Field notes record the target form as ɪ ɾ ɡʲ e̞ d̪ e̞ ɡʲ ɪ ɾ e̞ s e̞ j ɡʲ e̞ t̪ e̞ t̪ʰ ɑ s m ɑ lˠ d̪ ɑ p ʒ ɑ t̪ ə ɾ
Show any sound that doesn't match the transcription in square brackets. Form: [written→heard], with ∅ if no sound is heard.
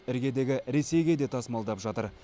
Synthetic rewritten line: ɪ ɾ ɡʲ e̞ d̪ e̞ ɡʲ ɪ ɾ e̞ s e̞ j ɡʲ e̞ [t̪→d̪] e̞ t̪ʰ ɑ s m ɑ lˠ d̪ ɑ p ʒ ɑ t̪ ə ɾ